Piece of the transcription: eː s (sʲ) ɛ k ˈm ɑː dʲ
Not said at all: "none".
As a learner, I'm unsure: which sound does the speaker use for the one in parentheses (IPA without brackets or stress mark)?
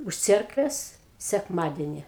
sʲ